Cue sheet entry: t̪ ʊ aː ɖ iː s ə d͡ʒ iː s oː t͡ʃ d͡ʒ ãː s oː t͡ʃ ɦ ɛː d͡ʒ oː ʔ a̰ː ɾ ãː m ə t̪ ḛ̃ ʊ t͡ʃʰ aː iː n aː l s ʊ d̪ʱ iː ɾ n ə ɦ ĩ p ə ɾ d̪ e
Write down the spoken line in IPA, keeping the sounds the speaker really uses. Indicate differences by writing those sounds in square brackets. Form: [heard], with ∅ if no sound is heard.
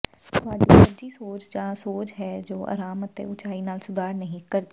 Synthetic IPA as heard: t̪ ʊ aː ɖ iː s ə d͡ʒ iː s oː t͡ʃ d͡ʒ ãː s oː t͡ʃ ɦ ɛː d͡ʒ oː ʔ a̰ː ɾ [aː] m ə t̪ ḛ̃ ʊ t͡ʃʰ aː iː n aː l s ʊ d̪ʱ [aː] ɾ n ə ɦ ĩ [k] ə ɾ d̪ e